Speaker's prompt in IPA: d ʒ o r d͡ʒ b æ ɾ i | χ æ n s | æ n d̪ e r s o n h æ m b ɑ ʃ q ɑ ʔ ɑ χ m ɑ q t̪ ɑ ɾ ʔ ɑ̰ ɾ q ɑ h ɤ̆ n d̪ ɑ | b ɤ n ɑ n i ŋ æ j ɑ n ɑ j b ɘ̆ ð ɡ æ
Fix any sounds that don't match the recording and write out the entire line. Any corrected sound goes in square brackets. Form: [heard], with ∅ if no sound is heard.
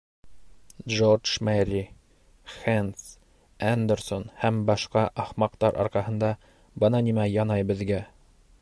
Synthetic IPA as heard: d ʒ o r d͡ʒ [m] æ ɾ i | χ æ n s | æ n d̪ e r s o n h æ m b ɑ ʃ q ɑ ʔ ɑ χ m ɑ q t̪ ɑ ɾ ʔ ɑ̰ ɾ q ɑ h ɤ̆ n d̪ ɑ | b ɤ n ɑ n i [m] æ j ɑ n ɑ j b ɘ̆ ð ɡ æ